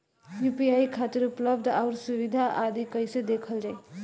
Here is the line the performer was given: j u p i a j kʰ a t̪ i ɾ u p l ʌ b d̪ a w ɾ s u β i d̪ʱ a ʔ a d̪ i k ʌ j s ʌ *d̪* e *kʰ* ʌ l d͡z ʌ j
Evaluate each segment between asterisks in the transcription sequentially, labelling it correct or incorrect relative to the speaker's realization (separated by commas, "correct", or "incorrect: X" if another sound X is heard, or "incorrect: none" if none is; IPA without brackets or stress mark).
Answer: correct, correct